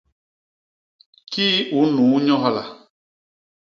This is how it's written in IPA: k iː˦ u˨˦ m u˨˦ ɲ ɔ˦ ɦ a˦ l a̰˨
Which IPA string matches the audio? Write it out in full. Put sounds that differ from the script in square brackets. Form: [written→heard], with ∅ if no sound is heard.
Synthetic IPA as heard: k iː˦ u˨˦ [m→n] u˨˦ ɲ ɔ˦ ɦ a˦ l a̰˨